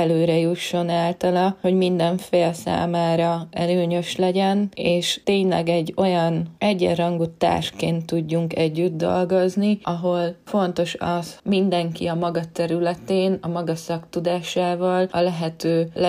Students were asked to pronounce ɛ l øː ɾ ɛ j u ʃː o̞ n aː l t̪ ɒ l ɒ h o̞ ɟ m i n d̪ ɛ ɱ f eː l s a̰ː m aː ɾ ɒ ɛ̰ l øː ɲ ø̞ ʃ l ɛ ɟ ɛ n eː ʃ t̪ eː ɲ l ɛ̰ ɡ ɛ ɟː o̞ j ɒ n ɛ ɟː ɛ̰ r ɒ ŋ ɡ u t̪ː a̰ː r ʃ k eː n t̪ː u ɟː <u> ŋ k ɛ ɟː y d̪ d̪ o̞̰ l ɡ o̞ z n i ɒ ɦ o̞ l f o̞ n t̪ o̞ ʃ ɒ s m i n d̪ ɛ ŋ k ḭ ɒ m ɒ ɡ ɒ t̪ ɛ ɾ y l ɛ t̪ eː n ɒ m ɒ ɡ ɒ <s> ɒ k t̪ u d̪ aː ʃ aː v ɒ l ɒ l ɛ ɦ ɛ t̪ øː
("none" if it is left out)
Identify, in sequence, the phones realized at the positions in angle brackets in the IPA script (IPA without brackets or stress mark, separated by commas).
u, s